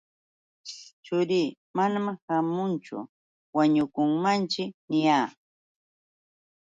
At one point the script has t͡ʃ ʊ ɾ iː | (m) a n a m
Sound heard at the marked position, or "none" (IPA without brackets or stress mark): m